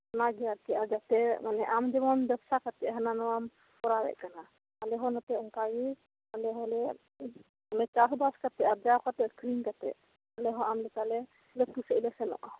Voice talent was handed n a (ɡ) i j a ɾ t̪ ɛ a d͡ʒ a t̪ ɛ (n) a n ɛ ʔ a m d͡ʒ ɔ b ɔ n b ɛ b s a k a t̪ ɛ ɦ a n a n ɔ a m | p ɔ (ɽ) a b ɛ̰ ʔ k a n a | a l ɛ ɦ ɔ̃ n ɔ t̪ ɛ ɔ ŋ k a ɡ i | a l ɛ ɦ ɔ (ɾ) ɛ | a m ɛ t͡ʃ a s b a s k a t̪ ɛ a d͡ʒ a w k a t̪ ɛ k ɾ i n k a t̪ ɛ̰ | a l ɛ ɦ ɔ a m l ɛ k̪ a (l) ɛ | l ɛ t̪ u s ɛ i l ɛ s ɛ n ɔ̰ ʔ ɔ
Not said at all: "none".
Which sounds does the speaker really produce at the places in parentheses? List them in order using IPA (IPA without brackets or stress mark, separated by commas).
ɡ, m, ɾ, l, l